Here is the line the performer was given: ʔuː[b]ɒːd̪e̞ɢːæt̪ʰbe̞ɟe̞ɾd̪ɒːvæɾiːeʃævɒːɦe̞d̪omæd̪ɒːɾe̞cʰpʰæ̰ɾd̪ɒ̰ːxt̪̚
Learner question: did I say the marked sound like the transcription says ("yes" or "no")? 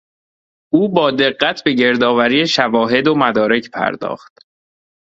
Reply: yes